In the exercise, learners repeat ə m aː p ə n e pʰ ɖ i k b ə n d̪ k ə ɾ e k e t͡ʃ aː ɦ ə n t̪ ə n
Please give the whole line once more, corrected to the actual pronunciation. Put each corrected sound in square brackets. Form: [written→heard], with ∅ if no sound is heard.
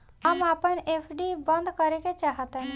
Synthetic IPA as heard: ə m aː p ə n e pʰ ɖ i [k→∅] b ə n d̪ k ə ɾ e k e t͡ʃ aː ɦ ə [n→∅] t̪ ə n

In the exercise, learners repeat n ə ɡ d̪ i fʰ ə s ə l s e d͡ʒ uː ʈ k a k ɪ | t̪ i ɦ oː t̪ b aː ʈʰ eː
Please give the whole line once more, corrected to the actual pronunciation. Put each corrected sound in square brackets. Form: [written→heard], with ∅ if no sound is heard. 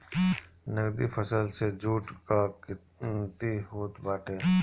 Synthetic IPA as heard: n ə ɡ d̪ i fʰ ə s ə l s e d͡ʒ uː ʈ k a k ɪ | t̪ i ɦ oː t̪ b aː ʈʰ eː

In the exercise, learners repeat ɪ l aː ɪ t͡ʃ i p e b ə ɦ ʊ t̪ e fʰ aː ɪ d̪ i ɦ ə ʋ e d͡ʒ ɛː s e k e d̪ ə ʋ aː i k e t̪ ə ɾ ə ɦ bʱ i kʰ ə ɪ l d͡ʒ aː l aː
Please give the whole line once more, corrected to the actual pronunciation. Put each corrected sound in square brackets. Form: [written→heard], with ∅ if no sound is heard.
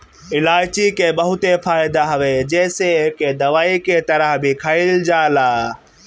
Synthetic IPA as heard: ɪ l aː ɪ t͡ʃ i [p→k] e b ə ɦ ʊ t̪ e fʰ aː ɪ d̪ [i→a] ɦ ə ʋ e d͡ʒ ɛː s e k e d̪ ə ʋ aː i k e t̪ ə ɾ ə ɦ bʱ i kʰ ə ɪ l d͡ʒ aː l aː

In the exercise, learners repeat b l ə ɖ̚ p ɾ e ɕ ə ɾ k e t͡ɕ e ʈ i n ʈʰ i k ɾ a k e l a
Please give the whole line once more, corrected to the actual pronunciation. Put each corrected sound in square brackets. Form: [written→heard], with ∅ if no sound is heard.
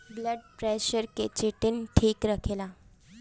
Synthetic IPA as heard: b l ə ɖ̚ p ɾ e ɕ ə ɾ k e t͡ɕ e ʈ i n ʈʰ [i→iː] k ɾ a [k→kʰ] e l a

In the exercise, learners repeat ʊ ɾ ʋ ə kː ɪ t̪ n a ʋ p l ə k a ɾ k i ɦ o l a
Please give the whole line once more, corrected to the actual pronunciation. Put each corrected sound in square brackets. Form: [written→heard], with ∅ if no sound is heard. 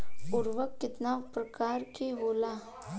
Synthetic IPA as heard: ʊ ɾ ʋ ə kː ɪ t̪ n a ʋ p [l→ɾ] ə k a ɾ k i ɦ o l a

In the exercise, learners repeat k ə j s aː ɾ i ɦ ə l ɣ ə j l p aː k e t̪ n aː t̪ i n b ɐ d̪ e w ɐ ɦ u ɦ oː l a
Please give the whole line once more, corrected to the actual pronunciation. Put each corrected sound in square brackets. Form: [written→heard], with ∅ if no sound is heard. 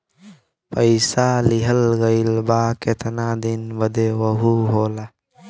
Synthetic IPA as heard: [k→p] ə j s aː [ɾ→l] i ɦ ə l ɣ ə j l [p→b] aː k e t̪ n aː [t̪→d̪] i n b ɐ d̪ e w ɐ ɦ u ɦ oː l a

